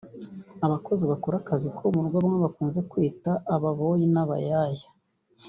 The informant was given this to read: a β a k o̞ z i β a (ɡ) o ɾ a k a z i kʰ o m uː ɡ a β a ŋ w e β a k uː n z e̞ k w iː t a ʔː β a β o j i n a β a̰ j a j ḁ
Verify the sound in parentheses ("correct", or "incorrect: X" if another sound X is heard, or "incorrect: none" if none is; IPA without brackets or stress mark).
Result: incorrect: k